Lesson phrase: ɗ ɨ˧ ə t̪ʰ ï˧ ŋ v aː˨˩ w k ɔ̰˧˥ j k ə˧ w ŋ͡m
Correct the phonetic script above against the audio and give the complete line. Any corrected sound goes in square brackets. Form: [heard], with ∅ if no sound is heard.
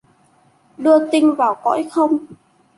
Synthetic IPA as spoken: ɗ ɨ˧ ə [t̪] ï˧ ŋ v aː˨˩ w k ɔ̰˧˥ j [x] ə˧ w ŋ͡m